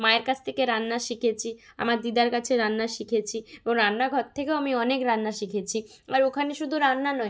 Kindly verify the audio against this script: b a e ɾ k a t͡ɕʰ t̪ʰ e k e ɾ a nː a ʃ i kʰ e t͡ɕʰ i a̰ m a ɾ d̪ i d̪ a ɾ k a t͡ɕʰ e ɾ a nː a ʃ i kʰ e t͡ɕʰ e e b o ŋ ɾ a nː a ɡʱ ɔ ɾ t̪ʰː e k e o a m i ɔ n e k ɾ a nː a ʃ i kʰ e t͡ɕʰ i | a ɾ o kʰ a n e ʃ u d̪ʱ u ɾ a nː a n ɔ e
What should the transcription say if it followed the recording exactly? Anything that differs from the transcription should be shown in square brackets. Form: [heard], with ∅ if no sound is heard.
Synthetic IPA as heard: [m] a e ɾ k a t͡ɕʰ t̪ʰ e k e ɾ a nː a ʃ i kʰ e t͡ɕʰ i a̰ m a ɾ d̪ i d̪ a ɾ k a t͡ɕʰ e ɾ a nː a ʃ i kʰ e t͡ɕʰ [i] e b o ŋ ɾ a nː a ɡʱ ɔ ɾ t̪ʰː e k e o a m i ɔ n e k ɾ a nː a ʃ i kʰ e t͡ɕʰ i | a ɾ o kʰ a n e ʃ u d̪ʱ u ɾ a nː a n ɔ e

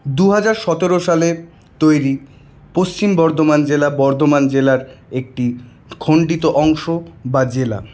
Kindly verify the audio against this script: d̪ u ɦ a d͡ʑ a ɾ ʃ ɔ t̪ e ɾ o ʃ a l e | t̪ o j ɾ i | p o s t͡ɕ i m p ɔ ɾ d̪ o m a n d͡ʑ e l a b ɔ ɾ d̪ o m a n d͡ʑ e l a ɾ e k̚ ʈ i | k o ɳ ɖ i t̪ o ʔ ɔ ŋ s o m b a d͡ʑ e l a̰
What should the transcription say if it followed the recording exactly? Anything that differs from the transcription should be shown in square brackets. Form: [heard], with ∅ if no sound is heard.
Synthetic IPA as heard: d̪ u ɦ a d͡ʑ a ɾ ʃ ɔ t̪ e ɾ o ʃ a l e | t̪ o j ɾ i | p o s t͡ɕ i m [b] ɔ ɾ d̪ o m a n d͡ʑ e l a b ɔ ɾ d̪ o m a n d͡ʑ e l a ɾ e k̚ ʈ i | [kʰ] o ɳ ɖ i t̪ o ʔ ɔ ŋ [ʃ] o [∅] b a d͡ʑ e l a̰

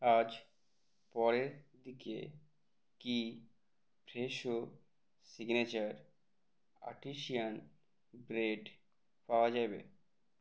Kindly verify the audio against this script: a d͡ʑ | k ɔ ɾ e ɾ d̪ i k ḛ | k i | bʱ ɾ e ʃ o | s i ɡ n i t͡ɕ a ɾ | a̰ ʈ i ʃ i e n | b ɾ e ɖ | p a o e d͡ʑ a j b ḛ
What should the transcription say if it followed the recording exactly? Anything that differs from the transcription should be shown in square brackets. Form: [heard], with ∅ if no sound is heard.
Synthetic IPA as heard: a d͡ʑ | [p] ɔ ɾ e ɾ d̪ i k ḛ | k i | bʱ ɾ e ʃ o | s i ɡ n [e] t͡ɕ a ɾ | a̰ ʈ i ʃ i [a] n | b ɾ e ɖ | p a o [a] d͡ʑ a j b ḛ

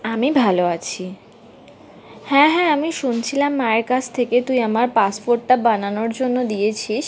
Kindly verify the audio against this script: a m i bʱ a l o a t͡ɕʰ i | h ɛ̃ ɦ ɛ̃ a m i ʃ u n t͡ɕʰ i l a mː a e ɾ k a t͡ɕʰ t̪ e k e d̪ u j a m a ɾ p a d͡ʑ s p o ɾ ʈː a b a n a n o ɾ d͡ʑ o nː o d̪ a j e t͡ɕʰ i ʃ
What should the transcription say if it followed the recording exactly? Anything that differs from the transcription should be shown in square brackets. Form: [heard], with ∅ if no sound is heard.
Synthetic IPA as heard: a m i bʱ a l o a t͡ɕʰ i | h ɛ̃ ɦ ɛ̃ a m i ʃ u n t͡ɕʰ i l a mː a e ɾ k a t͡ɕʰ [t̪ʰ] e k e [t̪] u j a m a ɾ p a [∅] s p o ɾ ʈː a b a n a n o ɾ d͡ʑ o nː o d̪ [i] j e t͡ɕʰ i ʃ

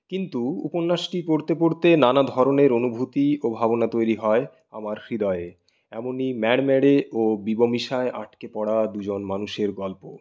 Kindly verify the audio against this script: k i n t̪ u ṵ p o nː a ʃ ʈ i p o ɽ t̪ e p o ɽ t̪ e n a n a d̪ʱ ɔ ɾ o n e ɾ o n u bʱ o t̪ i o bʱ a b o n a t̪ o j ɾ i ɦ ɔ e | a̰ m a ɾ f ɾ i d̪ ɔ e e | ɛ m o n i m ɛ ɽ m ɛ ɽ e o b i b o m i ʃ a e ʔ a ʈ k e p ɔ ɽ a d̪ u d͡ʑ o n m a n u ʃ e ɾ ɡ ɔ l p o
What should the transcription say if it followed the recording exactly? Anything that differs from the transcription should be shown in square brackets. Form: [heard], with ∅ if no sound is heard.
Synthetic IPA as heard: k i n t̪ u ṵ p o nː a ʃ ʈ i p o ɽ t̪ e p o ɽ t̪ e n a n a d̪ʱ ɔ ɾ o n e ɾ o n u bʱ [u] t̪ i o bʱ a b o n a t̪ o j ɾ i ɦ ɔ e | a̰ m a ɾ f ɾ i d̪ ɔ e e | ɛ m o n i m ɛ ɽ m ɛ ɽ e o b i b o m i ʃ a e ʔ a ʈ k e p ɔ ɽ a d̪ u d͡ʑ o n m a n u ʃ e ɾ ɡ ɔ l p o

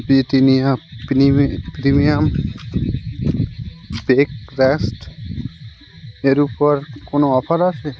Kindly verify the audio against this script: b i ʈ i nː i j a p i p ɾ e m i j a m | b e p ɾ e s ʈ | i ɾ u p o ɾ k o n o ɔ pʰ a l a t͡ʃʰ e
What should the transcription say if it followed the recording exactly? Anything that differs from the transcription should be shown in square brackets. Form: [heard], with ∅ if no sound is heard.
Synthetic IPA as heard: b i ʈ i [n] i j a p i p ɾ [i] m i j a m | b e [k] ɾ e s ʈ | [e] ɾ u p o ɾ k o n o ɔ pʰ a [ɾ] a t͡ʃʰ e

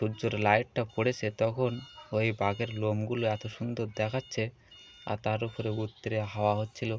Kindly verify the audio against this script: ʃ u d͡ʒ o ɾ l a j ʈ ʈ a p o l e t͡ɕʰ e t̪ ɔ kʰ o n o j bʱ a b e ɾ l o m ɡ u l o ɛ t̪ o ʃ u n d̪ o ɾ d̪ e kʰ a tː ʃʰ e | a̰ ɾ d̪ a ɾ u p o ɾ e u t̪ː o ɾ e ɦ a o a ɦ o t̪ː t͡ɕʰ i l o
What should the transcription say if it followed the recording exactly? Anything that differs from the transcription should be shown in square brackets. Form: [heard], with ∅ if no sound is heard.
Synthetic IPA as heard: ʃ u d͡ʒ o ɾ l a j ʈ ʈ a p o [ɽ] e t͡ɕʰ e t̪ ɔ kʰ o n o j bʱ a [ɡ] e ɾ l o m ɡ u l o ɛ t̪ o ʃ u n d̪ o ɾ d̪ [ɛ] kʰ a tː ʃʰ e | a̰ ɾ [t̪] a ɾ u p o ɾ e u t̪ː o ɾ e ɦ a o a ɦ o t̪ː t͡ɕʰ i l o

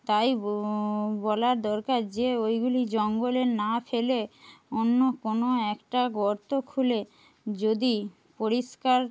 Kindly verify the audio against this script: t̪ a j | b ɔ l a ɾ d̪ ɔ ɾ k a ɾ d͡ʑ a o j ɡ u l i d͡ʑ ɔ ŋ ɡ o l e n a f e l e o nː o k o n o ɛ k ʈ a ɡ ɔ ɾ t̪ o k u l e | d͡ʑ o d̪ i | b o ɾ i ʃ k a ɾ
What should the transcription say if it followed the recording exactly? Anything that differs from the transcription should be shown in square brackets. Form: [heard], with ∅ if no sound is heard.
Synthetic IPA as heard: t̪ a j | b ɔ l a ɾ d̪ ɔ ɾ k a ɾ d͡ʑ [e] o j ɡ u l i d͡ʑ ɔ ŋ ɡ o l e n a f e l e o nː o k o n o ɛ k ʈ a ɡ ɔ ɾ t̪ o [kʰ] u l e | d͡ʑ o d̪ i | [p] o ɾ i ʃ k a ɾ

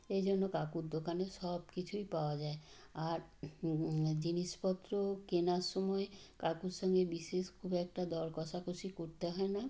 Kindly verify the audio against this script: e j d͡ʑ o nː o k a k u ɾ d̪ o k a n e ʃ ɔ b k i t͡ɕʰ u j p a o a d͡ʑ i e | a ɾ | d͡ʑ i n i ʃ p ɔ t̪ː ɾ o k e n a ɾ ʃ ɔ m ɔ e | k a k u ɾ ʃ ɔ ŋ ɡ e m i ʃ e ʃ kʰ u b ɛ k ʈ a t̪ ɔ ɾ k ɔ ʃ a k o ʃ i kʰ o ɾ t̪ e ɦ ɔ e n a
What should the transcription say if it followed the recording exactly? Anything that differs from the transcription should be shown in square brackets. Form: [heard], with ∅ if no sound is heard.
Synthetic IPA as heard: e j d͡ʑ o nː o k a k u ɾ d̪ o k a n e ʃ ɔ b k i t͡ɕʰ u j p a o a d͡ʑ [a] e | a ɾ | d͡ʑ i n i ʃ p ɔ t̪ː ɾ o k e n a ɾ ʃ ɔ m ɔ e | k a k u ɾ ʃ ɔ ŋ ɡ e [b] i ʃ e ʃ kʰ u b ɛ k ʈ a [d̪] ɔ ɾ k ɔ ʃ a k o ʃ i [k] o ɾ t̪ e ɦ ɔ e n a

